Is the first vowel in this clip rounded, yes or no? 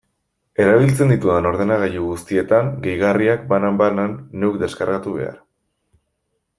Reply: no